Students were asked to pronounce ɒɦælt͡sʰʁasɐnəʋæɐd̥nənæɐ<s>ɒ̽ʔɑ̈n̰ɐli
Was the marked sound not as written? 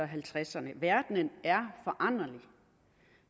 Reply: yes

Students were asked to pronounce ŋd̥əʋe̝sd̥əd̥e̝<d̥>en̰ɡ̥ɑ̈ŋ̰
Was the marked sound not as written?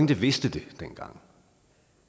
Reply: no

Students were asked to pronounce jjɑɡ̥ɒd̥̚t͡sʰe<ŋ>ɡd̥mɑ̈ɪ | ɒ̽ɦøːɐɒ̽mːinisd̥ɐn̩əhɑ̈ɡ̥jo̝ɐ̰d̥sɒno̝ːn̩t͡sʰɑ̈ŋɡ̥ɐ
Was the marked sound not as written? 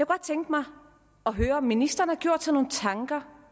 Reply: no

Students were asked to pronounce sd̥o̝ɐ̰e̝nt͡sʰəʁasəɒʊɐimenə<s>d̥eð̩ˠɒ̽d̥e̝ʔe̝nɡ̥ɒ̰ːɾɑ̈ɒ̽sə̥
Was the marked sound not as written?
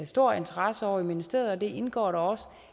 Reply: no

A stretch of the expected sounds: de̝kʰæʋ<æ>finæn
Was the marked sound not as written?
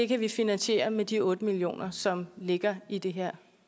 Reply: yes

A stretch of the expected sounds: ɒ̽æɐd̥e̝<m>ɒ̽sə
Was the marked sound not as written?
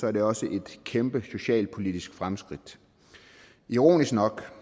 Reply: yes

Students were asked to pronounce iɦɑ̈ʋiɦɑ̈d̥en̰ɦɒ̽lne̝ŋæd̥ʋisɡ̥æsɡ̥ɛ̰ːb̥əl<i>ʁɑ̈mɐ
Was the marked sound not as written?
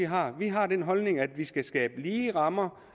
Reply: yes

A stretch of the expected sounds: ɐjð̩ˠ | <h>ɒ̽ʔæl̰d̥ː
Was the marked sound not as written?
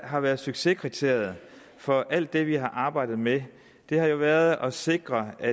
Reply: yes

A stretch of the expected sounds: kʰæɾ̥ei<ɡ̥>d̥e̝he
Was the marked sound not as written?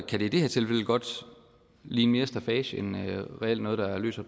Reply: yes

